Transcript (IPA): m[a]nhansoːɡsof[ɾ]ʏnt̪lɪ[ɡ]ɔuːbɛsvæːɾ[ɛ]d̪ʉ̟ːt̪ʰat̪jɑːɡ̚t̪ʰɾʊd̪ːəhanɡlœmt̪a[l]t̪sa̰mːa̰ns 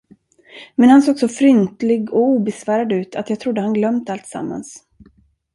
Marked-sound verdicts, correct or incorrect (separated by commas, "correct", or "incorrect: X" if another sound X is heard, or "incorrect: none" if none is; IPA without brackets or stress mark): incorrect: ɛ, correct, correct, incorrect: a, correct